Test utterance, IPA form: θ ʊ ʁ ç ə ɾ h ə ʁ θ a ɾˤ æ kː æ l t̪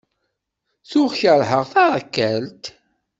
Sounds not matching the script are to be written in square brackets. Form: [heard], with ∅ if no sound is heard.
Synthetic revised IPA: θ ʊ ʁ ç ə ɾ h ə ʁ θ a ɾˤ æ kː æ l t̪